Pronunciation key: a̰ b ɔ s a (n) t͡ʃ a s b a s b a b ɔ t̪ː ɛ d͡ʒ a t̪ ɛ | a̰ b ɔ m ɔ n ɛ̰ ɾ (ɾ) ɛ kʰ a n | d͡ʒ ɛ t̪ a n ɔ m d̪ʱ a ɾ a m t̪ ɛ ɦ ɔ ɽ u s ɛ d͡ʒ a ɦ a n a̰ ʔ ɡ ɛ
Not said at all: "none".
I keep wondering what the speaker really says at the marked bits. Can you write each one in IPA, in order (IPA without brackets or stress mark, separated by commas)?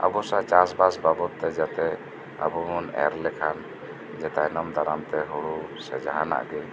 none, l